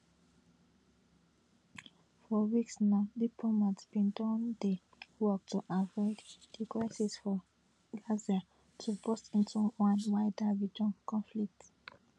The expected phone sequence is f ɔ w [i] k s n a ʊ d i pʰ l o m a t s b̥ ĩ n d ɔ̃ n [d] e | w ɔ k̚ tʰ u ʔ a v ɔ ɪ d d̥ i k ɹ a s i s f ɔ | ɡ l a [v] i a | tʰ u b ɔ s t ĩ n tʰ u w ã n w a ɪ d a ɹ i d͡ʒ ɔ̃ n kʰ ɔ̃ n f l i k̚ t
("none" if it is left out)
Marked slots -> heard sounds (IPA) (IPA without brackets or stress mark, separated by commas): i, d, z